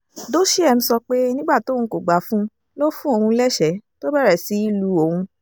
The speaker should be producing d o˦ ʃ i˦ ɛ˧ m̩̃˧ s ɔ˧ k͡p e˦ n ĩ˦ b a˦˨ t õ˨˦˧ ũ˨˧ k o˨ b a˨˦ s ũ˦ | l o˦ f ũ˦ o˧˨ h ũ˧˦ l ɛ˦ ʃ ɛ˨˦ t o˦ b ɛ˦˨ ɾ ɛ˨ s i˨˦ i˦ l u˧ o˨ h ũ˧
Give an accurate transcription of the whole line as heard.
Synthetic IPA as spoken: d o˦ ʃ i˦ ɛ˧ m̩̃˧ s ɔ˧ k͡p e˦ n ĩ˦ ɡ͡b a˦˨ t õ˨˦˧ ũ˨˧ k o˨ ɡ͡b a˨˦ f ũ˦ | l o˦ f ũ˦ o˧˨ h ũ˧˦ l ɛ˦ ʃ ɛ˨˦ t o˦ b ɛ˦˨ ɾ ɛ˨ s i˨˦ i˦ l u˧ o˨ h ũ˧